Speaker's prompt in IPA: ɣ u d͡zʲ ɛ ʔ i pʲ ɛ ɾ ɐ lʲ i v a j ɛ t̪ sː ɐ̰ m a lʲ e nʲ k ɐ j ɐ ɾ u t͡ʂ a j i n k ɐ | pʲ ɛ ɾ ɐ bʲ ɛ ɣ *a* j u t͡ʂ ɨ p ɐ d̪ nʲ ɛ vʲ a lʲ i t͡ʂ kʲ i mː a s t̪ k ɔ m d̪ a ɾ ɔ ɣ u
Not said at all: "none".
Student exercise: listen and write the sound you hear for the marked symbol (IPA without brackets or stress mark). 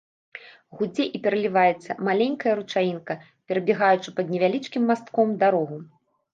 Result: a